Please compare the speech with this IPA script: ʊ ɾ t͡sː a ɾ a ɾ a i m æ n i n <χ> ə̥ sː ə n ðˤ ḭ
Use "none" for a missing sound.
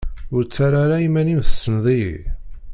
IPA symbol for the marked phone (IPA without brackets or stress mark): θ